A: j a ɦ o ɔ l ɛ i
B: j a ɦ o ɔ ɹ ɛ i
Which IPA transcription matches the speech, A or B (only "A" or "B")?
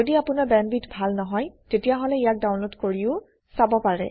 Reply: A